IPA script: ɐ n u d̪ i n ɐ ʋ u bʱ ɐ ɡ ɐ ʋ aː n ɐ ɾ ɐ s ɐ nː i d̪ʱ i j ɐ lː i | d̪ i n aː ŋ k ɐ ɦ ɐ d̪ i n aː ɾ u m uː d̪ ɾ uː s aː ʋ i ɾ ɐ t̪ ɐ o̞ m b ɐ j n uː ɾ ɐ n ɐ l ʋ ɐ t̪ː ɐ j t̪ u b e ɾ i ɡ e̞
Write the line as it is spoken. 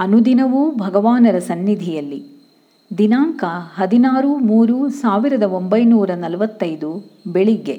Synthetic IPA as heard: ɐ n u d̪ i n ɐ ʋ u bʱ ɐ ɡ ɐ ʋ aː n ɐ ɾ ɐ s ɐ nː i d̪ʱ i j ɐ lː i | d̪ i n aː ŋ k ɐ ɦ ɐ d̪ i n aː ɾ u m uː ɾ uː s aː ʋ i ɾ ɐ d̪ ɐ o̞ m b ɐ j n uː ɾ ɐ n ɐ l ʋ ɐ t̪ː ɐ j d̪ u b e ɭ i ɡ e̞